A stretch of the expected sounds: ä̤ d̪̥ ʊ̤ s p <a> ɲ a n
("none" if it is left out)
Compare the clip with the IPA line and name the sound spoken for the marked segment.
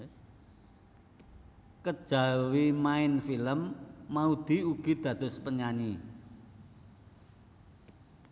ə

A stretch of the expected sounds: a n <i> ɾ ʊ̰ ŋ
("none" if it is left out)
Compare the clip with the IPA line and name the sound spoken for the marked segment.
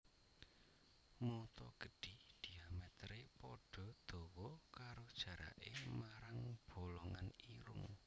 i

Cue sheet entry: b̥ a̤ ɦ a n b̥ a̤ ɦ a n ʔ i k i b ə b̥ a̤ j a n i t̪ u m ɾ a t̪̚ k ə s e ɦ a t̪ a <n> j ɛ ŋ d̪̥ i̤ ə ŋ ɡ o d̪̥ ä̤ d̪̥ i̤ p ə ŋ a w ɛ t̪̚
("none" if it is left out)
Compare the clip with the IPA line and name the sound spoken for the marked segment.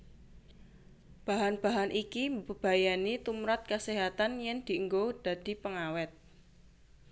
n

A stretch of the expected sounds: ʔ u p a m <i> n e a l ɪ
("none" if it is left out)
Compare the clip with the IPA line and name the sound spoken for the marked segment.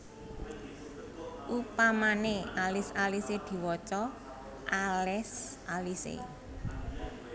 a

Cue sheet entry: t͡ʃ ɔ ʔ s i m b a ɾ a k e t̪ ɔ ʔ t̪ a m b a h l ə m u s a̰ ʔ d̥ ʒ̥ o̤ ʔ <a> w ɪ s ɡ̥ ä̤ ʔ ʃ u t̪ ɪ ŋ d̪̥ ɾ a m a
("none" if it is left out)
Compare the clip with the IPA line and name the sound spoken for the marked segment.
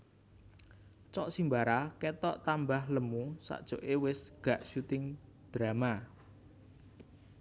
e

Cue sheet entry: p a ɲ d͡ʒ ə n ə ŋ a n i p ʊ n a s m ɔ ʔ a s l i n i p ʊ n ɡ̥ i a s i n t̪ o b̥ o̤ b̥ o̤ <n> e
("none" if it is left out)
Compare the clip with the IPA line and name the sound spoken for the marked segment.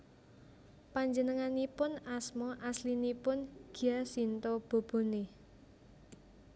n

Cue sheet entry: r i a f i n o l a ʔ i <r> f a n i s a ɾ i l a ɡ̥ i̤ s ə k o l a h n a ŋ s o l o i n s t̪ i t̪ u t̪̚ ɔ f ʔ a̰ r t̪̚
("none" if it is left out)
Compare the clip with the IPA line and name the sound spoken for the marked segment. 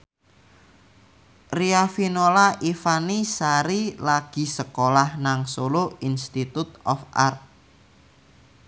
none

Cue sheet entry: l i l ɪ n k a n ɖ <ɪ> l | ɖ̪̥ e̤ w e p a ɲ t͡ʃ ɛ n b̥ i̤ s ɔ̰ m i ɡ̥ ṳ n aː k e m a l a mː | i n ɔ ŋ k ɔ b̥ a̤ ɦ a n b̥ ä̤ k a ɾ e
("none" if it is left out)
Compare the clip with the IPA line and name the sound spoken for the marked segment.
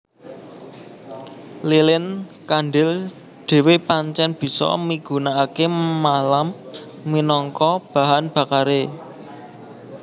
ɪ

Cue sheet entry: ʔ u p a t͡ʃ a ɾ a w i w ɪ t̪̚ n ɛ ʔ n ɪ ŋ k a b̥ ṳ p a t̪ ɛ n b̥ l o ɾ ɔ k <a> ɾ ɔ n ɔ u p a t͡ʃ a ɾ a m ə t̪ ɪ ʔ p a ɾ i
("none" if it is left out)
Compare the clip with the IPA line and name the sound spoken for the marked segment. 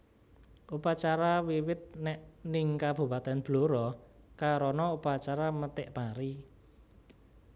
a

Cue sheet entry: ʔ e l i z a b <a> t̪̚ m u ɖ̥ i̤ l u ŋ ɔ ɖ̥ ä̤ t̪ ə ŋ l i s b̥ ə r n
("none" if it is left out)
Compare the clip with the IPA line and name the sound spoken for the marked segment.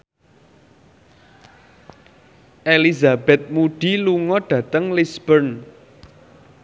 ɛ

